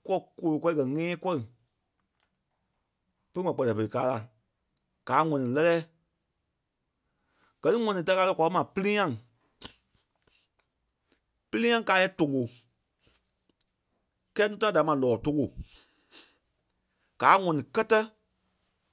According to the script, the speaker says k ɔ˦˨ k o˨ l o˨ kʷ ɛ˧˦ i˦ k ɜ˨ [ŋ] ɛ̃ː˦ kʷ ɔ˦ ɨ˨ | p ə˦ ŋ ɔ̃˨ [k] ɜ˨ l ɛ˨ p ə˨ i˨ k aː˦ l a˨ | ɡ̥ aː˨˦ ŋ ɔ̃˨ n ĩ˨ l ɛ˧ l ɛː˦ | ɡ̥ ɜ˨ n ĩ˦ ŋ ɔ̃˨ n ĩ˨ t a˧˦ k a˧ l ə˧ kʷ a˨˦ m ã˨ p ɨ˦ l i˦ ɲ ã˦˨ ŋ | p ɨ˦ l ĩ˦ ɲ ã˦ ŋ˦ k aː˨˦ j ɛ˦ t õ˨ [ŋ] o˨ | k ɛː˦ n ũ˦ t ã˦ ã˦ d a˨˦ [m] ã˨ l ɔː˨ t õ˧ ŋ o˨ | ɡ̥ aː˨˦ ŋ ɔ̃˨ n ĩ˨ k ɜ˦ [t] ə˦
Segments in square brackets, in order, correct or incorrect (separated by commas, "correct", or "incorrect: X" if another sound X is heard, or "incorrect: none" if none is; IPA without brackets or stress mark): correct, incorrect: k͡p, correct, correct, correct